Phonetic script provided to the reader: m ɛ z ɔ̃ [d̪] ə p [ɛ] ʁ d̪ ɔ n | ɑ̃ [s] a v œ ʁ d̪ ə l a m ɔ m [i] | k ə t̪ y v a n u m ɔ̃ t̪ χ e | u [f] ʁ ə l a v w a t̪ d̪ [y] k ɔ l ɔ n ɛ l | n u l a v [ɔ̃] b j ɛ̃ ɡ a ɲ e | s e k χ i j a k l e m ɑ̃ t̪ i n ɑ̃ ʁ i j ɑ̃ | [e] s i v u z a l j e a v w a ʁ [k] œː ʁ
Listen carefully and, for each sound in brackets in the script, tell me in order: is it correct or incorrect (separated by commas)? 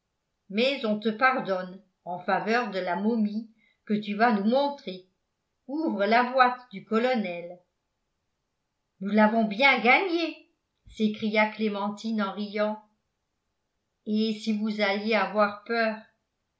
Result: incorrect, incorrect, incorrect, correct, incorrect, correct, correct, correct, incorrect